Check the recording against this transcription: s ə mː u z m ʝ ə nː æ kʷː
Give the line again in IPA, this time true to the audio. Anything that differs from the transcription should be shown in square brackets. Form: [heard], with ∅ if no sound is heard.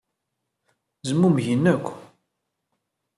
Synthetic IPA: [z] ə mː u [∅] m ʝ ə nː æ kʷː